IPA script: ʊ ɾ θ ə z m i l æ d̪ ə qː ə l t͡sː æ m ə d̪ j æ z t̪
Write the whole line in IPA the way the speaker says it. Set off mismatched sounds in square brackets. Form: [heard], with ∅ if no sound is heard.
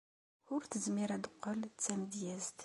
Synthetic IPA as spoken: ʊ ɾ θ ə z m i [ɾ] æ d̪ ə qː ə l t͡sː æ m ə d̪ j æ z t̪